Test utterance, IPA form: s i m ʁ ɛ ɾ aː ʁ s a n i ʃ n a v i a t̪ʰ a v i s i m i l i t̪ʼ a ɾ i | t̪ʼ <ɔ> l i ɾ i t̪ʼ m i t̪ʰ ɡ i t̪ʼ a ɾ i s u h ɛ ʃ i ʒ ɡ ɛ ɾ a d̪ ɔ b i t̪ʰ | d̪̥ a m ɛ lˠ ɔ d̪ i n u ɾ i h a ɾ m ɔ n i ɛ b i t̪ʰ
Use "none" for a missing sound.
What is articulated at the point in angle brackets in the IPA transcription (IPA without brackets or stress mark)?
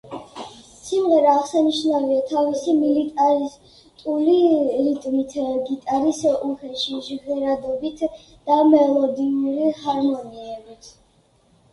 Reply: u